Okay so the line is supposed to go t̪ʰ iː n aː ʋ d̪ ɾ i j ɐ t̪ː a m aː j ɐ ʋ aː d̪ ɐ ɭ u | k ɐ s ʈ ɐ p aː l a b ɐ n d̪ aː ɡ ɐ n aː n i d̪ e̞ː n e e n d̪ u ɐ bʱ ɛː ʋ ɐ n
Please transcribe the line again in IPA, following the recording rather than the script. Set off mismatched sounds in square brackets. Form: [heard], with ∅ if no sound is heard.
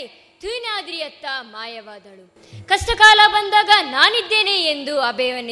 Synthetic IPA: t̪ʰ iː n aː [∅] d̪ ɾ i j ɐ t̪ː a m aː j ɐ ʋ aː d̪ ɐ ɭ u | k ɐ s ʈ ɐ [k] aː l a b ɐ n d̪ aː ɡ ɐ n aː n i [d̪ː] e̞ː n e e n d̪ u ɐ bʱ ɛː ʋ ɐ n